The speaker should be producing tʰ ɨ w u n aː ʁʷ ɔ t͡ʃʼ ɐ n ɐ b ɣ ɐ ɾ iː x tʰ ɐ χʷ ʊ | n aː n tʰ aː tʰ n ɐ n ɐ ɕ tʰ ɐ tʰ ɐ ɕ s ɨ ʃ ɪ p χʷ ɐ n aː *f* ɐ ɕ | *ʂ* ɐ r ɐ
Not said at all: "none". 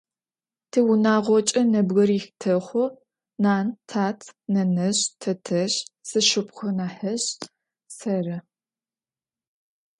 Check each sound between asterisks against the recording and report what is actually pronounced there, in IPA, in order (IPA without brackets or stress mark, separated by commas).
ħ, s